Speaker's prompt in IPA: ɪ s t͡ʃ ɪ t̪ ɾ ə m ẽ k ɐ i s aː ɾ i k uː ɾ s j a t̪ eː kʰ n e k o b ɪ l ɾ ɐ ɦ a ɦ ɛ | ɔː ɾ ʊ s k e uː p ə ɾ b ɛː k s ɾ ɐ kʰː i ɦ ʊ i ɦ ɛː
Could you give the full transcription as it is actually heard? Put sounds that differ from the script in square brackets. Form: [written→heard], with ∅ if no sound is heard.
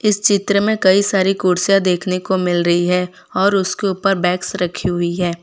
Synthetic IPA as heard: ɪ s t͡ʃ ɪ t̪ ɾ ə m ẽ k ɐ i s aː ɾ i k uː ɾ s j a [t̪→d̪] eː kʰ n e k o [b→m] ɪ l ɾ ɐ ɦ [a→i] ɦ ɛ | ɔː ɾ ʊ s k e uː p ə ɾ b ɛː k s ɾ ɐ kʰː i ɦ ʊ i ɦ ɛː